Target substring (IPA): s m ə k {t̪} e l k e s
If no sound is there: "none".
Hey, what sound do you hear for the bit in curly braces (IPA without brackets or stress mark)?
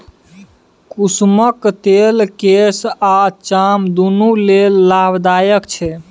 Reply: t̪